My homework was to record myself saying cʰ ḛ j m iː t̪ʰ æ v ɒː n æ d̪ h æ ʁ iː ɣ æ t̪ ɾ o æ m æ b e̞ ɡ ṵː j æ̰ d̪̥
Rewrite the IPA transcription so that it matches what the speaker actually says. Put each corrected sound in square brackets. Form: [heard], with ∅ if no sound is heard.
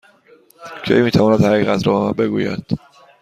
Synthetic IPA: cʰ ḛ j m iː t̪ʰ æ v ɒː n æ d̪ h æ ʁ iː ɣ æ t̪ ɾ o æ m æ b e̞ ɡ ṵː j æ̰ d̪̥